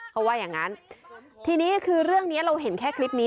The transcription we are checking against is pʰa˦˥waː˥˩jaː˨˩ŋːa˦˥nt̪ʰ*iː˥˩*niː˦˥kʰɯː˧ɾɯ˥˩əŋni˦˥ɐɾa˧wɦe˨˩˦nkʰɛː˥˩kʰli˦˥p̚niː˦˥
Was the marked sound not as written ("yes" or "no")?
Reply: yes